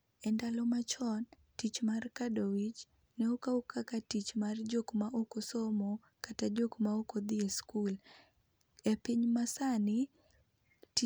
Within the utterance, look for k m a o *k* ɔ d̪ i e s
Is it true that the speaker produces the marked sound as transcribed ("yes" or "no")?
yes